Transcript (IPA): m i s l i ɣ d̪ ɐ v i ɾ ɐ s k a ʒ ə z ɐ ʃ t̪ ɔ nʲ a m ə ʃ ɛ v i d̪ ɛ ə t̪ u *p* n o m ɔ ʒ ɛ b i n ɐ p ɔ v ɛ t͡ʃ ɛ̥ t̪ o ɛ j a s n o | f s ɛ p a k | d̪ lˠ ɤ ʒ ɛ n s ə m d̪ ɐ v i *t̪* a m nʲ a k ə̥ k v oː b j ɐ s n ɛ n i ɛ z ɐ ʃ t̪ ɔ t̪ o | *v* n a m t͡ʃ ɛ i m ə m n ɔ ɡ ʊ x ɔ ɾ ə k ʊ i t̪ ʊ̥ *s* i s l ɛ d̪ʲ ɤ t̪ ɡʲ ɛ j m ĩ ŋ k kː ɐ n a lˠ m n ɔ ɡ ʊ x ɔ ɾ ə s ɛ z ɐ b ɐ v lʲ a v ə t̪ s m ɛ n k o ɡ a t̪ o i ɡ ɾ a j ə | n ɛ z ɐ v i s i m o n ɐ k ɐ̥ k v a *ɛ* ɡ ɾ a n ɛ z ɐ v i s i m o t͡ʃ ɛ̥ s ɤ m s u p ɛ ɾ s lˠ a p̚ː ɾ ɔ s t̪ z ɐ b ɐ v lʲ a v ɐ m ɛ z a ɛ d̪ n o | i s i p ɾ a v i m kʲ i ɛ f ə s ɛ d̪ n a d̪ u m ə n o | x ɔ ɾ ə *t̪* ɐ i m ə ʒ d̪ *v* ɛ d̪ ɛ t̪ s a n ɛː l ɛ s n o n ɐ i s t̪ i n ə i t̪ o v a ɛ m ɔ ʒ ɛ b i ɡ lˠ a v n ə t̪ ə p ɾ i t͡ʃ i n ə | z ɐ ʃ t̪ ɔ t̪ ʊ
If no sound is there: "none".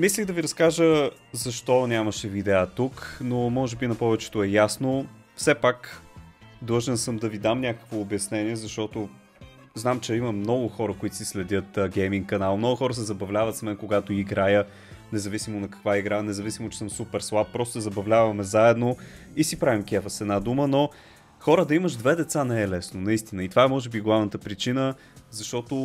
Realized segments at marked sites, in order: k, d̪, z, s, i, d̪, v

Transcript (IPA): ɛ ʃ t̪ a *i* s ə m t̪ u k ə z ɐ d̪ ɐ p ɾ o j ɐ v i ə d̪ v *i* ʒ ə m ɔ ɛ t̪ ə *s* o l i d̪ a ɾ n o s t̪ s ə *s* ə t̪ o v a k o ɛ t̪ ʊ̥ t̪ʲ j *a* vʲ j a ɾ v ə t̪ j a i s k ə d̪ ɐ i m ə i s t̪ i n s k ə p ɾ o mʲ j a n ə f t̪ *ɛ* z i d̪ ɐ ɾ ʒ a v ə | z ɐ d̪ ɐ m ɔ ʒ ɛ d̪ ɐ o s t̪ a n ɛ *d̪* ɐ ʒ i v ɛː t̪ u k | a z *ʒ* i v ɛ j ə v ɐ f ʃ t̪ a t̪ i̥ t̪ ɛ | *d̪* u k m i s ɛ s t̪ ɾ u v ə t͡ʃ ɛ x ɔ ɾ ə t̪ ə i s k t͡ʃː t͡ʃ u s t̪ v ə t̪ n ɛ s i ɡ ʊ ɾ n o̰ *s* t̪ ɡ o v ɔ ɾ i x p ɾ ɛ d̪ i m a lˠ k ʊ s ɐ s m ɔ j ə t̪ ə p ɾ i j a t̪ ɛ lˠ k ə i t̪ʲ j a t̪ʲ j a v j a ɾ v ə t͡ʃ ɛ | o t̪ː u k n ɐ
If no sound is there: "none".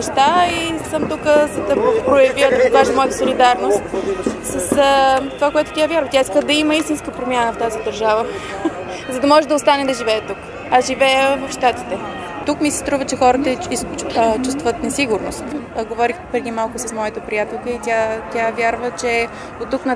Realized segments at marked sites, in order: i, a, s, s, a, a, d̪, ʒ, t̪, s

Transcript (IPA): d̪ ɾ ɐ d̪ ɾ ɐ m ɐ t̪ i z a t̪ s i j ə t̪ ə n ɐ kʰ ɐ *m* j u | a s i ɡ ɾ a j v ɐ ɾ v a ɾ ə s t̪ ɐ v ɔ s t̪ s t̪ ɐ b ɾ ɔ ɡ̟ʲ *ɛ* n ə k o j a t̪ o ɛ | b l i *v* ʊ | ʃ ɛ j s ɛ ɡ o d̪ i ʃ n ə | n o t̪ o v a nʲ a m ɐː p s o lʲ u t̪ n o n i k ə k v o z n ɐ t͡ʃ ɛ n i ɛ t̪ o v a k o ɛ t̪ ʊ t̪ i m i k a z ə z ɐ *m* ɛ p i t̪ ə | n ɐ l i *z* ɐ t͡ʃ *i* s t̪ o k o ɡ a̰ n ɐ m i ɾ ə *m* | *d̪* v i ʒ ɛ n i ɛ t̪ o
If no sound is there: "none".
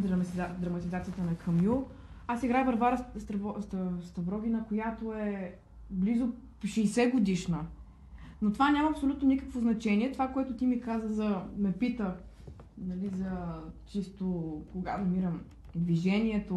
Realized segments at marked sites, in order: m, i, z, m, z, i, m, d̪

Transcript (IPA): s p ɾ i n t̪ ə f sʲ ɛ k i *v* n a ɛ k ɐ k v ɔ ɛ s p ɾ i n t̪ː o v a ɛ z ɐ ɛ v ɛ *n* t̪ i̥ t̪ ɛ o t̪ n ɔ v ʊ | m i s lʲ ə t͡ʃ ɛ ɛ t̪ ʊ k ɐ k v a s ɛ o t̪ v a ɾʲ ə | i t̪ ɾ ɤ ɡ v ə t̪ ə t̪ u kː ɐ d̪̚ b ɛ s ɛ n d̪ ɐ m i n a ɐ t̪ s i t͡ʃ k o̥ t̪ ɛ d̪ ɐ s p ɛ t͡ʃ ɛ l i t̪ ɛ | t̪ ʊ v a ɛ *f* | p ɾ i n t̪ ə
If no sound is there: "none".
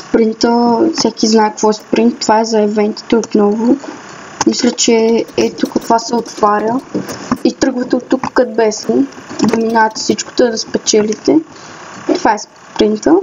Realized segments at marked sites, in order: z, n, s

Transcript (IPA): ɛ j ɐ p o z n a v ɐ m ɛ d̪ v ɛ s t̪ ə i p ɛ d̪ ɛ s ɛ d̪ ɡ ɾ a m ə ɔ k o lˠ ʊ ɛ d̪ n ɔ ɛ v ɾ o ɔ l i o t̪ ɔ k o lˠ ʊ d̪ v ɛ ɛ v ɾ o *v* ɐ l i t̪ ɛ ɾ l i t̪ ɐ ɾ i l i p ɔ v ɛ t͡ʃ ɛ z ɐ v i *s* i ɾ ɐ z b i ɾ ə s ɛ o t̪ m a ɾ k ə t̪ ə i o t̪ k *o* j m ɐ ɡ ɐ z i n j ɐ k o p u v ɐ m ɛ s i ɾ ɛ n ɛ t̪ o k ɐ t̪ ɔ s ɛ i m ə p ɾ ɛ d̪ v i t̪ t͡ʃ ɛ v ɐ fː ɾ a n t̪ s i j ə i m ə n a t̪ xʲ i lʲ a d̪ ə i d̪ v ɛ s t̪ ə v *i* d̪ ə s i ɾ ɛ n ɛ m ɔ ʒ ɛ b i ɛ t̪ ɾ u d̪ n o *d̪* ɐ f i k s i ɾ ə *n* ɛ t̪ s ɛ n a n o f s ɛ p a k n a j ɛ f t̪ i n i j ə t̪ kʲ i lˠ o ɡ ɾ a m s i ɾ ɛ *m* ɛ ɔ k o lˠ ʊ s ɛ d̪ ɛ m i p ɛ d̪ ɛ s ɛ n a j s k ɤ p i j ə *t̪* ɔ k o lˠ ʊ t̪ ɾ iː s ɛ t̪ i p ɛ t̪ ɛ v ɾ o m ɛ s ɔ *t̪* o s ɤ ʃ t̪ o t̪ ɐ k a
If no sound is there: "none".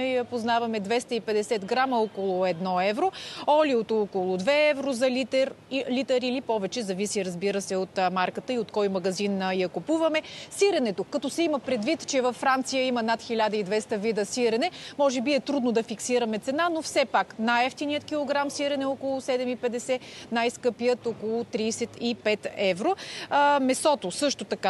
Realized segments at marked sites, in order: z, s, ɔ, i, d̪, m, n, t̪, t̪

